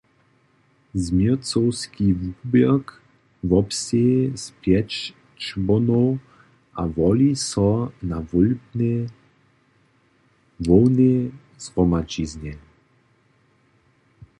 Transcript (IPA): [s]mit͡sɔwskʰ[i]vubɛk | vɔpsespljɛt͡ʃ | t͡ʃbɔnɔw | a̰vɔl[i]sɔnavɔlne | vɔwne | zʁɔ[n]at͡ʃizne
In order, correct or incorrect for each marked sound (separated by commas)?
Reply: incorrect, correct, correct, incorrect